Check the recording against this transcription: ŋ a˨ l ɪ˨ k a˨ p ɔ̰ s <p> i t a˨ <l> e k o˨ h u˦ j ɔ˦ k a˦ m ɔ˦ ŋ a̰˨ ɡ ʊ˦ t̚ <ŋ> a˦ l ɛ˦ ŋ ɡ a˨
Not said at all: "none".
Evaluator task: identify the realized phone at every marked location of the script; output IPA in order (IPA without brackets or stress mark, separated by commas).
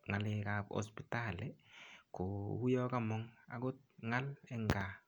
p, l, ŋ